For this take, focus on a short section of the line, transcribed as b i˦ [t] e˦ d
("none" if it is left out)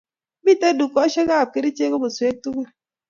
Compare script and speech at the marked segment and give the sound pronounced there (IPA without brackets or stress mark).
t